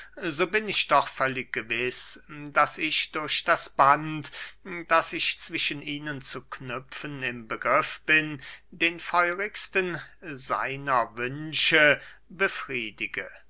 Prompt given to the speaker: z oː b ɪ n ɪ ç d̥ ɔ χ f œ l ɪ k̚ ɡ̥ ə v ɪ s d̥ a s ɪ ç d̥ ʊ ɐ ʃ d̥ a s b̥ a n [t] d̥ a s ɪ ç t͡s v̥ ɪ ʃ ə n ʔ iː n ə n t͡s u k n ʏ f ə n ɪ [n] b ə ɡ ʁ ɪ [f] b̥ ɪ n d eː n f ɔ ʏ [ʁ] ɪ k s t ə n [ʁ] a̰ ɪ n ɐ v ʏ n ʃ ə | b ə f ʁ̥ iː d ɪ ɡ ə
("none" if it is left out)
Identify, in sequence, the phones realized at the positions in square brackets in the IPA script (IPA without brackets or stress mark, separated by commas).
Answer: t, m, f, ʁ, z